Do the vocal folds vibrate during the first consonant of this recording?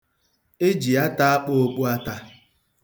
yes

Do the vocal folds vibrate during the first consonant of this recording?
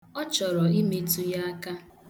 no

